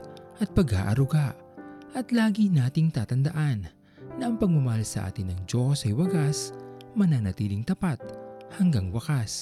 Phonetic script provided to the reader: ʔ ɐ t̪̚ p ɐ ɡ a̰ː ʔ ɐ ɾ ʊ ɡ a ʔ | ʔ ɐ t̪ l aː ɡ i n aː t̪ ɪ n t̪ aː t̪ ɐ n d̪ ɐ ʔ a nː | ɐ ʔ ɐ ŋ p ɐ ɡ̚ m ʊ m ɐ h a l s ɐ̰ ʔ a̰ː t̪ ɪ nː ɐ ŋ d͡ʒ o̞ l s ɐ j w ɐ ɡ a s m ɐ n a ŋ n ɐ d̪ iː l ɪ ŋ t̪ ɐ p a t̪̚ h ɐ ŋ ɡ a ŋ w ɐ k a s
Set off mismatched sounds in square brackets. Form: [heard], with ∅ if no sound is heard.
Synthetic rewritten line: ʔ ɐ t̪̚ p ɐ ɡ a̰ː ʔ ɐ ɾ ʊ ɡ a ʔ | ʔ ɐ t̪ l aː ɡ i n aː t̪ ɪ [ŋ] t̪ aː t̪ ɐ n d̪ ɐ ʔ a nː | ɐ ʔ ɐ ŋ p ɐ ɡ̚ m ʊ m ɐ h a l s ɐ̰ ʔ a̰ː t̪ ɪ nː ɐ ŋ d͡ʒ o̞ [∅] s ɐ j w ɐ ɡ a s m ɐ n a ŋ n ɐ [t̪] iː l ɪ ŋ t̪ ɐ p a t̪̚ h ɐ ŋ ɡ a ŋ w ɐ k a s